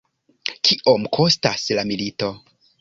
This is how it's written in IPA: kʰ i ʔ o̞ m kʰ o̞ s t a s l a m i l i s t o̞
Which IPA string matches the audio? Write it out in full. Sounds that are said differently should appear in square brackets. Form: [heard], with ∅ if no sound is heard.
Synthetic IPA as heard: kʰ i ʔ o̞ m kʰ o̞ s t a s l a m i l i [∅] t o̞